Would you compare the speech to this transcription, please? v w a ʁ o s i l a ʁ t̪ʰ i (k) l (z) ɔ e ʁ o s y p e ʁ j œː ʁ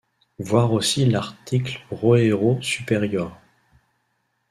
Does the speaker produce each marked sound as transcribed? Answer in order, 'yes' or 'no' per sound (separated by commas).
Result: yes, no